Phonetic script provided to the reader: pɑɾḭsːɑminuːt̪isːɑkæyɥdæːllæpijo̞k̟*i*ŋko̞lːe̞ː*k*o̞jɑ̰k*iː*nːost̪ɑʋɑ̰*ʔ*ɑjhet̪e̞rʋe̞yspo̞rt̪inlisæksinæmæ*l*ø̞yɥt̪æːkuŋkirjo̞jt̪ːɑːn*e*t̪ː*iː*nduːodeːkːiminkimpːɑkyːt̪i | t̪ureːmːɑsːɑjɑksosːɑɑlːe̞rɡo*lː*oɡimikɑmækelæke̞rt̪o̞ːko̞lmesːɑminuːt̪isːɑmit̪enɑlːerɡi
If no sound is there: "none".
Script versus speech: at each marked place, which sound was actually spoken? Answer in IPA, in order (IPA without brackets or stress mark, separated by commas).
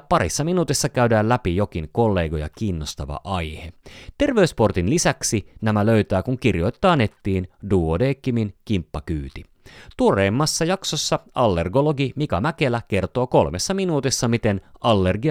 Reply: i, ɡ, iː, ʔ, l, e, iː, l